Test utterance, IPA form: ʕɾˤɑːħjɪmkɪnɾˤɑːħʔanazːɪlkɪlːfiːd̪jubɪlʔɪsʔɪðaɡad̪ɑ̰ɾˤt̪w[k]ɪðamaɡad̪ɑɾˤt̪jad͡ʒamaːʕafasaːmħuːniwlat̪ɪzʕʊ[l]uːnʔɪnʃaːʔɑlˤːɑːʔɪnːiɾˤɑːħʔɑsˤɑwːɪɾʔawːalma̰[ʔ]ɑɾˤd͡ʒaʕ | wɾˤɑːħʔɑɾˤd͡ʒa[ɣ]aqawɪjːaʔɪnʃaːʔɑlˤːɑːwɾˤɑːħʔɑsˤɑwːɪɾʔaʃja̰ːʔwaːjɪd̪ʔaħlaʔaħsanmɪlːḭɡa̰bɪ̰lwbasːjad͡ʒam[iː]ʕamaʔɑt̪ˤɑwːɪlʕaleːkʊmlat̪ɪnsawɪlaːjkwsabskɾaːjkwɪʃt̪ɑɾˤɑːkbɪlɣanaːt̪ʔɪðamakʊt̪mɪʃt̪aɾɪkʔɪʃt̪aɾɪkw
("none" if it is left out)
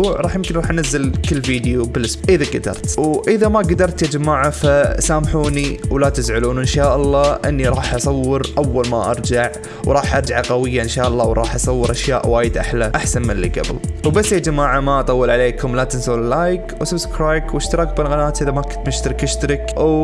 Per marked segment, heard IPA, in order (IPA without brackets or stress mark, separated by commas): ʔ, l, ʔ, ʕ, aː